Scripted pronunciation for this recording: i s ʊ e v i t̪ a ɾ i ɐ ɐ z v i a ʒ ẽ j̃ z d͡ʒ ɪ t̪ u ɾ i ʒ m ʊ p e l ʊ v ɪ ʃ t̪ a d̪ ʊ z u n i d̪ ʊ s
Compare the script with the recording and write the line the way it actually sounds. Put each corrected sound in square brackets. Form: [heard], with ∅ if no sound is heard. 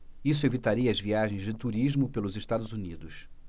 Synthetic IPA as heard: i s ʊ e v i t̪ a ɾ i ɐ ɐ z v i a ʒ ẽ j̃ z d͡ʒ ɪ t̪ u ɾ i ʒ m ʊ p e l ʊ [z] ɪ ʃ t̪ a d̪ ʊ z u n i d̪ ʊ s